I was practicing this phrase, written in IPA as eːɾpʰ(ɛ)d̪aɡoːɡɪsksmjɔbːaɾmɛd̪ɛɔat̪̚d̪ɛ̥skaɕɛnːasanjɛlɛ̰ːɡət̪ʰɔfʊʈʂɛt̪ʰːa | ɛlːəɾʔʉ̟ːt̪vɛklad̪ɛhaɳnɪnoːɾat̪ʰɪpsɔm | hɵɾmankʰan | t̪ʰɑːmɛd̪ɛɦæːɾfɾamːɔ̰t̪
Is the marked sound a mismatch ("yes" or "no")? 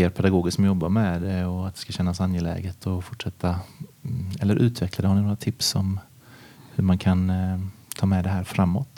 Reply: no